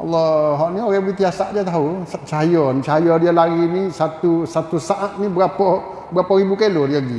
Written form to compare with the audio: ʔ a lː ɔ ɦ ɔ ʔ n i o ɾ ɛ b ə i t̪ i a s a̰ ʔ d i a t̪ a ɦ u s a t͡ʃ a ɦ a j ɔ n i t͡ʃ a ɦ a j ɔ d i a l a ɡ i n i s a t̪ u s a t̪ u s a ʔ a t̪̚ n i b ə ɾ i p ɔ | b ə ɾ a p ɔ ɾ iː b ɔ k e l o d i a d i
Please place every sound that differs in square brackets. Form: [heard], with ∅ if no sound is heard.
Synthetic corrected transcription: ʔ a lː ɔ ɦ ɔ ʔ n i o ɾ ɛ b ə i t̪ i a s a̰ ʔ d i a t̪ a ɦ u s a t͡ʃ a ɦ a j ɔ n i t͡ʃ a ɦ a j ɔ d i a l a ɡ i n i s a t̪ u s a t̪ u s a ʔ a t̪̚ n i b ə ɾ [a] p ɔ | b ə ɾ a p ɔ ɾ [i] b [u] k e l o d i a [ɡ] i